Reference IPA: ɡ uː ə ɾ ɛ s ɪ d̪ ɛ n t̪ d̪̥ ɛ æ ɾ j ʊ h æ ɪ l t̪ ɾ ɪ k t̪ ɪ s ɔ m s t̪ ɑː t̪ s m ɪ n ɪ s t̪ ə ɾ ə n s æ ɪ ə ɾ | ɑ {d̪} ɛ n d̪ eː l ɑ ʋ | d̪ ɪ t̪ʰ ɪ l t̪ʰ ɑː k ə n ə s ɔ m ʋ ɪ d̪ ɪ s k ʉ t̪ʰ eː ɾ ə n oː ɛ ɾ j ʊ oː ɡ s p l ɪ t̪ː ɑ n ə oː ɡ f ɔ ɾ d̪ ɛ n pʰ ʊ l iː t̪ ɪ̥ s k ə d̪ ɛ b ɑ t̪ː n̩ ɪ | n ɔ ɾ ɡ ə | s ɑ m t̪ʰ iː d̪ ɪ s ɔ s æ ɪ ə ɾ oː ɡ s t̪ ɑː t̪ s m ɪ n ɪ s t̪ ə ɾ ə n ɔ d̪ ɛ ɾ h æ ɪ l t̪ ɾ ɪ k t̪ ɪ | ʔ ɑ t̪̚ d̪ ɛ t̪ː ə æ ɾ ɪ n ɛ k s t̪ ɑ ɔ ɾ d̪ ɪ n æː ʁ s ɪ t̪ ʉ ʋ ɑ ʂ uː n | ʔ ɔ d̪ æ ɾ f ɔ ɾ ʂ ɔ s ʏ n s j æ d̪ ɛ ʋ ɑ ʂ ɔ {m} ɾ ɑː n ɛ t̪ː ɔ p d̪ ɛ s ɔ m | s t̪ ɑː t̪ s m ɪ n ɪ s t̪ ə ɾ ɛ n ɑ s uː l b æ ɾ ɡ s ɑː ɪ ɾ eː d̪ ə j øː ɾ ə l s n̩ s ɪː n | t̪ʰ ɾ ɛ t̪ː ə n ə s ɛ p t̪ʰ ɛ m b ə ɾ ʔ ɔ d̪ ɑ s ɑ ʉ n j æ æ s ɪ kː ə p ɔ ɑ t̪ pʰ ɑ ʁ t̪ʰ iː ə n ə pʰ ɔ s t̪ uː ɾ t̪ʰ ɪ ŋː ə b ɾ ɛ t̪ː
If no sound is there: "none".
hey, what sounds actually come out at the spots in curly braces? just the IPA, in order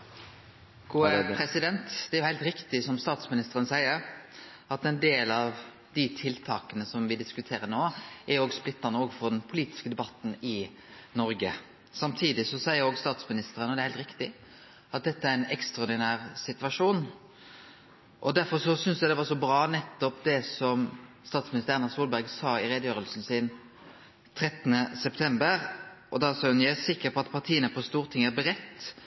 t̪, b

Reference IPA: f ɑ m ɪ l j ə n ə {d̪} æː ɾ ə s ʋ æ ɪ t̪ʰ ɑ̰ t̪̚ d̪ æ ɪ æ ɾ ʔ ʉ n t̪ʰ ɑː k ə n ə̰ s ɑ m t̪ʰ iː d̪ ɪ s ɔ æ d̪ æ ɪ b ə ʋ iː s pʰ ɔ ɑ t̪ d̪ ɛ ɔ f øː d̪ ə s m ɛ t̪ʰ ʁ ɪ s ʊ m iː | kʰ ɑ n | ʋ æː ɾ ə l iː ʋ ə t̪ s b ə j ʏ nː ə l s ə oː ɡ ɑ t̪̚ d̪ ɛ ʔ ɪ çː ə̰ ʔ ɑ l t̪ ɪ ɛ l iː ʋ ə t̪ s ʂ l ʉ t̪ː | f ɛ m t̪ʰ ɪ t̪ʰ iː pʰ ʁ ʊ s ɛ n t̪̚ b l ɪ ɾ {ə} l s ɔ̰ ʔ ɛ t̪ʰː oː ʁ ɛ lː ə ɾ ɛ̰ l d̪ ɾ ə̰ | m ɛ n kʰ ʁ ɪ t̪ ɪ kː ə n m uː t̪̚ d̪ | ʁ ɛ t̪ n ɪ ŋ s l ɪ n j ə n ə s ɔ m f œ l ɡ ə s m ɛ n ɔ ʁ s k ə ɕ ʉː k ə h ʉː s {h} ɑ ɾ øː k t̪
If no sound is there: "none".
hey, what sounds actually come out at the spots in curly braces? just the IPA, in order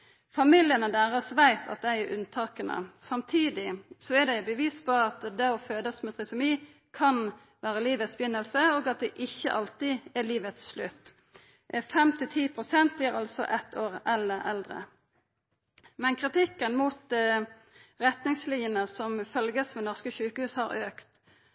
d̪, ɑ, h

